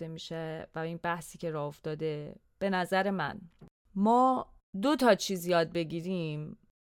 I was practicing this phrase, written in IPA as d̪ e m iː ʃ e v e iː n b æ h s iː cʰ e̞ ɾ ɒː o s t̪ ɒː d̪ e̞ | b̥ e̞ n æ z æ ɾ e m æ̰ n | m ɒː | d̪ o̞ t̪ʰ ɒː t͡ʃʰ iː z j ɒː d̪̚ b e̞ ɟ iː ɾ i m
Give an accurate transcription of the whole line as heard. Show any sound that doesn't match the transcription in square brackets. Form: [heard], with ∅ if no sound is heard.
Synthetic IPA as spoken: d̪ e m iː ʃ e v [æ] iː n b æ h s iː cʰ e̞ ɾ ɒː o [f] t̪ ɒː d̪ e̞ | b̥ e̞ n æ z æ ɾ e m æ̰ n | m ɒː | d̪ o̞ t̪ʰ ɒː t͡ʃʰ iː z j ɒː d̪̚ b e̞ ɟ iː ɾ i m